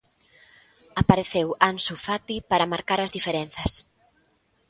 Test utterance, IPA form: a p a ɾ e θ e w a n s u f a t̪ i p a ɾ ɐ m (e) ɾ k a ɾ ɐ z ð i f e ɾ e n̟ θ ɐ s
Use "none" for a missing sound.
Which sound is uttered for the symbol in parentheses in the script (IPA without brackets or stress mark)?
a